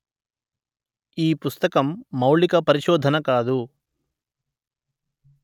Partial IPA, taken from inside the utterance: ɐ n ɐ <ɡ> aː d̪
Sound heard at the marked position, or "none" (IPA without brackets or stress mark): k